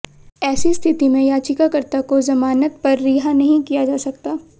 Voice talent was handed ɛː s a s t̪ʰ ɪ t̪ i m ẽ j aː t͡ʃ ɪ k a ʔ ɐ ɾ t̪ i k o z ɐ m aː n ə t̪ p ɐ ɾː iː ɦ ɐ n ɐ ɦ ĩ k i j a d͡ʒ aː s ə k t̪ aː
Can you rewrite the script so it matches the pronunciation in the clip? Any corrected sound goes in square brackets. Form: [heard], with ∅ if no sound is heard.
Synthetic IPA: ɛː s [i] s t̪ʰ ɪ t̪ i m ẽ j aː t͡ʃ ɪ k a [k] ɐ ɾ t̪ [a] k o z ɐ m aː n ə t̪ p ɐ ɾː iː ɦ [a] n ɐ ɦ ĩ k i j a d͡ʒ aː s [ɐ] k t̪ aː